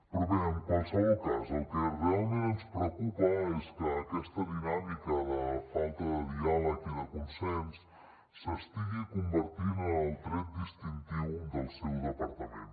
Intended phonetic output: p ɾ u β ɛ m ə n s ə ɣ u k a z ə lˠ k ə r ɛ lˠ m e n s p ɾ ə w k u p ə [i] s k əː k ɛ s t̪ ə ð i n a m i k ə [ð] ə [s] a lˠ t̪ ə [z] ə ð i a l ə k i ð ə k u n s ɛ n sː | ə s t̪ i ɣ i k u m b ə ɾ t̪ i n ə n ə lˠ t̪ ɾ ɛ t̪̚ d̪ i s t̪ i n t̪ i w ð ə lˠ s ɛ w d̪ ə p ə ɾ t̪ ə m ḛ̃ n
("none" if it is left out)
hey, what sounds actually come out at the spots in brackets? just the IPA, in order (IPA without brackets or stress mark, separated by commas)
e, ð, f, ð